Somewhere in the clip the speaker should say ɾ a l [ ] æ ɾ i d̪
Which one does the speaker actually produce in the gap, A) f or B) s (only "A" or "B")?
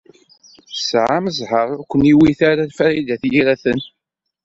A